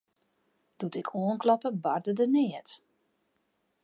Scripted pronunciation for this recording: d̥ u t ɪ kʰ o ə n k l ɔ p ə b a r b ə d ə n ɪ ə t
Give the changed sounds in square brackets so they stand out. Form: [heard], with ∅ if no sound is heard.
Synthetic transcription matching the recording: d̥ u t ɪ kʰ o ə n k l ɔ p ə b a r [d] ə d ə n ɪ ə t